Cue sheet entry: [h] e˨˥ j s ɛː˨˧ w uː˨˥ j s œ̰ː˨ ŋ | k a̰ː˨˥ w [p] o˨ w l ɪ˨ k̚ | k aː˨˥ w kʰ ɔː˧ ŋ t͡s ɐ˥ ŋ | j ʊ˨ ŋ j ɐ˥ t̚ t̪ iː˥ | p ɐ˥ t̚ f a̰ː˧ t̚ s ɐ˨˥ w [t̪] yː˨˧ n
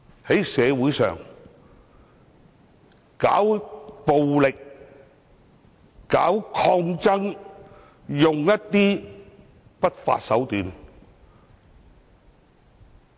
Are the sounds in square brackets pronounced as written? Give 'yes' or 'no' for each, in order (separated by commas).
yes, yes, yes